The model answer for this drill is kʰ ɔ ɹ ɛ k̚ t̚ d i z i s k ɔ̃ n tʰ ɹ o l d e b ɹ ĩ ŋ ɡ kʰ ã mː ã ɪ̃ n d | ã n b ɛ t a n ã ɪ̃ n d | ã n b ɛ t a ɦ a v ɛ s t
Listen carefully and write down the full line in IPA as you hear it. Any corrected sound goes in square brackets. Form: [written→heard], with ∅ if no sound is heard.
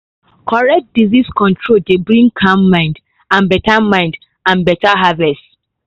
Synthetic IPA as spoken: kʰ ɔ ɹ ɛ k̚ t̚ d i z i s k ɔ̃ n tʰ ɹ o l d e b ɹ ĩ ŋ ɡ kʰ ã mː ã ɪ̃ n d | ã n b ɛ t a [n→m] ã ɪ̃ n d | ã n b ɛ t a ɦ a v ɛ s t